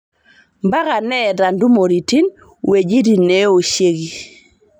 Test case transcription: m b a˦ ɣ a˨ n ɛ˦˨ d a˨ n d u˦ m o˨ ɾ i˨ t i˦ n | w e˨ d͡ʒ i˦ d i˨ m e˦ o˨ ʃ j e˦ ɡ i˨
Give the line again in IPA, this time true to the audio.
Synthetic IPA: m b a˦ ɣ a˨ n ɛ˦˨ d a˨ n d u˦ m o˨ ɾ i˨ t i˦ n | w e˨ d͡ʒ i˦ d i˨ n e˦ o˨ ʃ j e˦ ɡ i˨